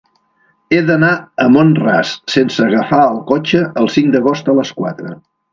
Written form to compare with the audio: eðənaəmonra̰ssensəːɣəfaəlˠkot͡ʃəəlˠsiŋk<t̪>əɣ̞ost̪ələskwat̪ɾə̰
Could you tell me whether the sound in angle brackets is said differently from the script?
yes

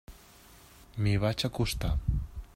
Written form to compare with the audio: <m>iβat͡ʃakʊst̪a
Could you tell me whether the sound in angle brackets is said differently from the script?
no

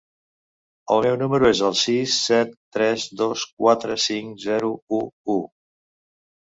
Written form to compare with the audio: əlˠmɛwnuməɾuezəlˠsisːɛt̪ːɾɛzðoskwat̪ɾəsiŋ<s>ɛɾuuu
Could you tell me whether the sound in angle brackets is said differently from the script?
yes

